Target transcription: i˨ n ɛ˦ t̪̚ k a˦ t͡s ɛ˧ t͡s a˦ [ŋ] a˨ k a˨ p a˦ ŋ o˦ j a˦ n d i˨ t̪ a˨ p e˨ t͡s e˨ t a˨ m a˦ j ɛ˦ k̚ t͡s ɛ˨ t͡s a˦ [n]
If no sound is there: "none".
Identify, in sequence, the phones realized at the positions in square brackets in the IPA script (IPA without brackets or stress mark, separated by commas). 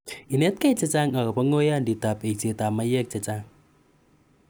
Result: ŋ, ŋ